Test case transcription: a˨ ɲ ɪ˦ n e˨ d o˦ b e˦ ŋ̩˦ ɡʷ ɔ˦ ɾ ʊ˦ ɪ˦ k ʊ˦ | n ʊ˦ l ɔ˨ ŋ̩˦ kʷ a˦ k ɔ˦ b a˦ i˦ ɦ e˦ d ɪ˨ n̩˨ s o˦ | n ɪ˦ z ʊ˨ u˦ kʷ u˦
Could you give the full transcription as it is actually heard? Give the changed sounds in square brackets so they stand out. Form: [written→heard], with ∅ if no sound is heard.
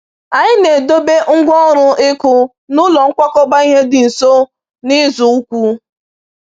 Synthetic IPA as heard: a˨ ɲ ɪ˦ n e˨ d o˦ b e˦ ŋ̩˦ ɡʷ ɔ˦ ɾ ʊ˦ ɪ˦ k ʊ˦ | n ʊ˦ l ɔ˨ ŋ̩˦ kʷ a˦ k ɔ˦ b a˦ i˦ ɦ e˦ d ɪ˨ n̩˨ s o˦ | n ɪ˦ z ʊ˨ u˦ kʷ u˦